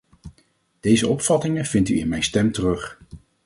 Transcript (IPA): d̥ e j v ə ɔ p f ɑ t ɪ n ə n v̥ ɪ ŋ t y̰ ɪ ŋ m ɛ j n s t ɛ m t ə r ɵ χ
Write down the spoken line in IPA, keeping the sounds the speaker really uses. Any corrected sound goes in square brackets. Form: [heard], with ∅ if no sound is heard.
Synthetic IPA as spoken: d̥ e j [z] ə ɔ p f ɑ t ɪ [ŋ] ə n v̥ ɪ [n] t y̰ ɪ [n] m ɛ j n s t ɛ m t ə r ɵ χ